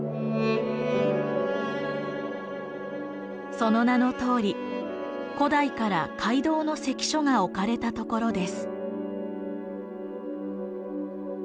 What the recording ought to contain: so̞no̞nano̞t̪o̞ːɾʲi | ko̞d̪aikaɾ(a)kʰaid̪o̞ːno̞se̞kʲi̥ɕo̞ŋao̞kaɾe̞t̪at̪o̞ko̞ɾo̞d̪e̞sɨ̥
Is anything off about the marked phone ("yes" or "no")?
no